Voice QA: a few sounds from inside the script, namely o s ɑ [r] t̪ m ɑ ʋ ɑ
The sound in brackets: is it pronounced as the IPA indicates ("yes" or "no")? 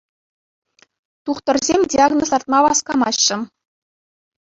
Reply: yes